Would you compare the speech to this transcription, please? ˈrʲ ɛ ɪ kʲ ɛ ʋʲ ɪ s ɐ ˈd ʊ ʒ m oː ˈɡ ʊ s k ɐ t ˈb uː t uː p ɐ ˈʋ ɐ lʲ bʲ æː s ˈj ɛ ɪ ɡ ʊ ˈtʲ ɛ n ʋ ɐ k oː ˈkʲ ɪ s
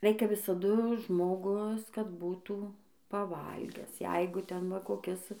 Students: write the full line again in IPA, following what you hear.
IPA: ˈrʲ ɛ ɪ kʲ ɛ ʋʲ ɪ s ɐ ˈd ʊ ʒ m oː ˈɡ ʊ s k ɐ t ˈb uː t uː p ɐ ˈʋ ɐ lʲ ɡʲ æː s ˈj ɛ ɪ ɡ ʊ ˈtʲ ɛ n ʋ ɐ k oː ˈkʲ ɪ s